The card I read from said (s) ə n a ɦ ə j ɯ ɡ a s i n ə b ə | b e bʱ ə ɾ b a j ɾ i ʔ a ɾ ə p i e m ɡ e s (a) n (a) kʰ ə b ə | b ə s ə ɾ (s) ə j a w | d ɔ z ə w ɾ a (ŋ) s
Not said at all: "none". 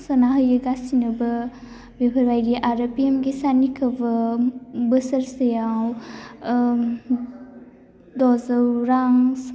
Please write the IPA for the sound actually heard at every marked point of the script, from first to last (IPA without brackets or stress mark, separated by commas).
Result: s, a, i, s, ŋ